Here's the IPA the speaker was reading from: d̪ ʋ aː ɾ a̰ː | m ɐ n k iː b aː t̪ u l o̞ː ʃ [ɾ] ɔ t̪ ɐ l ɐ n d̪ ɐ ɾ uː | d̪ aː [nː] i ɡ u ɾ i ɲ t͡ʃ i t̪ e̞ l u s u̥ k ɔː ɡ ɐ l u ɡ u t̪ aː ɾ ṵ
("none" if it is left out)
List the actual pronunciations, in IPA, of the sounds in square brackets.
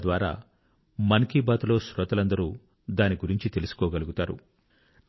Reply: ɾ, n

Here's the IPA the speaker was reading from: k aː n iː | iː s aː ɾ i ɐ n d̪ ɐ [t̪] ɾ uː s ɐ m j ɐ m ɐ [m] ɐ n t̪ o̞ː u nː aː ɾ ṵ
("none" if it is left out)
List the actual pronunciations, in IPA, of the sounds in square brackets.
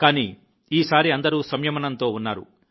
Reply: none, n

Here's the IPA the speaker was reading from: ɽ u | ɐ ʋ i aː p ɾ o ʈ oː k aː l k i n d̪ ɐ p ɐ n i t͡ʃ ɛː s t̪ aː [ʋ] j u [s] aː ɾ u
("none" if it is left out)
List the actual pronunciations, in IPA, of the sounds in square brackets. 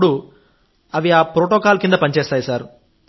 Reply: none, s

